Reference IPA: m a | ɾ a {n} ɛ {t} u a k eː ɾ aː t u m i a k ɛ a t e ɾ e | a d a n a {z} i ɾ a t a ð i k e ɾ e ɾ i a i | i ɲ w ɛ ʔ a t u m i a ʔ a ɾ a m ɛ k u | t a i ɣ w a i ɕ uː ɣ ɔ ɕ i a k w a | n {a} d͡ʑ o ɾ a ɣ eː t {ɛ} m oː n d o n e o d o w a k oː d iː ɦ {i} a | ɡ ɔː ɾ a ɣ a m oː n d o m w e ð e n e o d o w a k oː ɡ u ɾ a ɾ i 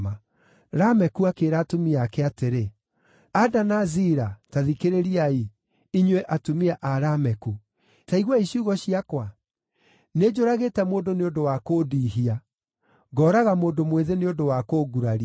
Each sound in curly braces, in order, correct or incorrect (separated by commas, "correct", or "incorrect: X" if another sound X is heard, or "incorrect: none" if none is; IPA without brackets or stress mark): incorrect: m, incorrect: k, correct, incorrect: e, correct, correct